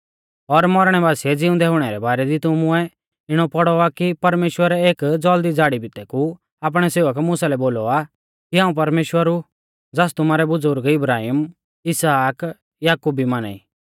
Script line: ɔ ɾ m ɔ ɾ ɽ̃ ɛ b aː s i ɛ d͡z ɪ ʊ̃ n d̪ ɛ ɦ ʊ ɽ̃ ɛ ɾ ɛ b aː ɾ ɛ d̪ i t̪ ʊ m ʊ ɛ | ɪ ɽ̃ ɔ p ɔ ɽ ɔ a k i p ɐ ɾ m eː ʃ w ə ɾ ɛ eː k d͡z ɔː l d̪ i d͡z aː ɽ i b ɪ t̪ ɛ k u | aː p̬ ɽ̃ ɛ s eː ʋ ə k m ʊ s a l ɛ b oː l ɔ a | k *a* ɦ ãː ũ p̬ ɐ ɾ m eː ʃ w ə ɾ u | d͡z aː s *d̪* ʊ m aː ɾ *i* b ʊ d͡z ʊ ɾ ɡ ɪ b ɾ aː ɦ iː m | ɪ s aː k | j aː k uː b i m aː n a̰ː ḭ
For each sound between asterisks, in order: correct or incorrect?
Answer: incorrect: i, incorrect: t̪, incorrect: ɛ

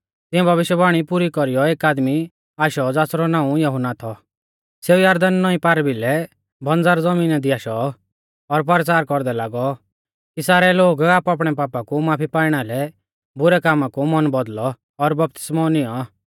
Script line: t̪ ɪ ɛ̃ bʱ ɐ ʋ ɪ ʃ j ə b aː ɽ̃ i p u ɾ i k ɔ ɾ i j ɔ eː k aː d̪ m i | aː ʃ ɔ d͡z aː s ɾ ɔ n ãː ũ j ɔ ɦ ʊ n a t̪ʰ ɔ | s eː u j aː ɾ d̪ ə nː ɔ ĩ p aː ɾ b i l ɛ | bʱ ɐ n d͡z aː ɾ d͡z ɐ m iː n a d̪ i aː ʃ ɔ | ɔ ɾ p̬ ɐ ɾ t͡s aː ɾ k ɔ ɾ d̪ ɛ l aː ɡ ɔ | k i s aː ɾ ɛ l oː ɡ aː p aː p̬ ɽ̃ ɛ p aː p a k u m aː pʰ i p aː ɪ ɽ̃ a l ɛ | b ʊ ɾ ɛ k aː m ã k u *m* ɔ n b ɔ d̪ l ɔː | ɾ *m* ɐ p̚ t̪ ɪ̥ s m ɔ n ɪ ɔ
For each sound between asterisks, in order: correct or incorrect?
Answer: correct, incorrect: b

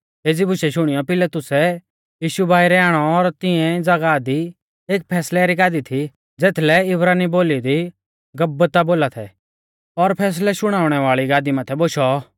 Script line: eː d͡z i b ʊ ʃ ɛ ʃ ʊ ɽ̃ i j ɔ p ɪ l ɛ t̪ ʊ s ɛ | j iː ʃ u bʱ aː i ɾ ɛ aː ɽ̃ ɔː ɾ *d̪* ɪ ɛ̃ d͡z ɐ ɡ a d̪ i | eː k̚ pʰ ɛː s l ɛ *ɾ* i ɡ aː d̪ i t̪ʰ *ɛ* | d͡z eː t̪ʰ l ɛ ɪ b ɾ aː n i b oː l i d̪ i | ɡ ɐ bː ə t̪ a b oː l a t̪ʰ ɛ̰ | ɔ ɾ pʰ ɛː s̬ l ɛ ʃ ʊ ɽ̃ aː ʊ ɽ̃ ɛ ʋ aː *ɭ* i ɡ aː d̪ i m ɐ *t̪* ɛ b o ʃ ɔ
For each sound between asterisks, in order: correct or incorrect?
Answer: incorrect: t̪, correct, incorrect: i, correct, incorrect: t̪ʰ

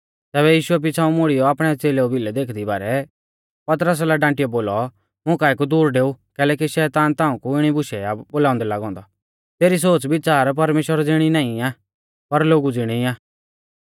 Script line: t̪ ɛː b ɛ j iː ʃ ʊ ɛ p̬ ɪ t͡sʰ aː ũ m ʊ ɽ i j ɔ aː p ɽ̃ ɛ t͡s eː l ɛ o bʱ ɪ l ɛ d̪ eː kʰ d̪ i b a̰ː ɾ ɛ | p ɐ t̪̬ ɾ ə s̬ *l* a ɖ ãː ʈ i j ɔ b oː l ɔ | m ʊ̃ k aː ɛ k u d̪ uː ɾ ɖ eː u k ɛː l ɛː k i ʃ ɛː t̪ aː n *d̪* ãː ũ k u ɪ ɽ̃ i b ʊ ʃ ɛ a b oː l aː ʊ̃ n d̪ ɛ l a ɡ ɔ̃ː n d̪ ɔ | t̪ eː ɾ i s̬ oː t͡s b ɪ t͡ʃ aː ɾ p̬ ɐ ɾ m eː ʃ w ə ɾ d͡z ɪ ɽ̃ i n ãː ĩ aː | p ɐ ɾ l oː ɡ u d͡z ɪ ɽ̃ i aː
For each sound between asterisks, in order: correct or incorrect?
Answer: correct, incorrect: t̪

